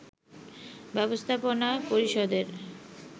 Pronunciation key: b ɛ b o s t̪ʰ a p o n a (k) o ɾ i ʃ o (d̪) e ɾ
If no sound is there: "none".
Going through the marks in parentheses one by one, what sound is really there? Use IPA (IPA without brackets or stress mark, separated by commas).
p, d̪